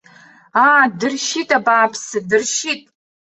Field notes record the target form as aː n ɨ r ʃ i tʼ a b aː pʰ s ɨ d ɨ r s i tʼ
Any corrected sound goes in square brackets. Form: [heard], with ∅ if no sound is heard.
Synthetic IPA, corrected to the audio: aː [d] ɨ r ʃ i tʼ a b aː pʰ s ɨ d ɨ r [ʃ] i tʼ